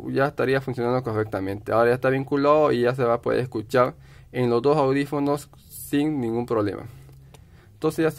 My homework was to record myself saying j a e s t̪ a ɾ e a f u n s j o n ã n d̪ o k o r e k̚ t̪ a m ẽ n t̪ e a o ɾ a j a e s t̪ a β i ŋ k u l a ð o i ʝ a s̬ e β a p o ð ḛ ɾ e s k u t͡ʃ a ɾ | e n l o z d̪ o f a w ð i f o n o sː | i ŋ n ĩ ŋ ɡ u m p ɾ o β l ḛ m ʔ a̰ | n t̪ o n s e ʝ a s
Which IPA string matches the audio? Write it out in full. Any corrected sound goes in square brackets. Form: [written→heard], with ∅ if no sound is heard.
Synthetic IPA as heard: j a e s t̪ a ɾ [e→i] a f u n s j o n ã n d̪ o k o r e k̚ t̪ a m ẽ n t̪ e a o ɾ a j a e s t̪ a β i ŋ k u l a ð o i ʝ a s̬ e β a p o ð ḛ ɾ e s k u t͡ʃ a ɾ | e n l o z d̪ o [f→s] a w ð i f o n o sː | i ŋ n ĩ ŋ ɡ u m p ɾ o β l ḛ m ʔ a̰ | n t̪ o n s e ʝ a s